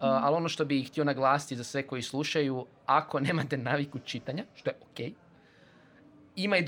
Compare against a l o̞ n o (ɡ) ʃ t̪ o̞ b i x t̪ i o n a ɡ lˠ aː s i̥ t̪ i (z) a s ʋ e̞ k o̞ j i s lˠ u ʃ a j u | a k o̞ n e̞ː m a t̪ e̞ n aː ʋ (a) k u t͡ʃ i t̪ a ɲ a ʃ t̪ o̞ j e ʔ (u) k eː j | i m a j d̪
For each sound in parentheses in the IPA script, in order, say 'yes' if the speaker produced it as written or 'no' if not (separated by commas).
no, yes, no, no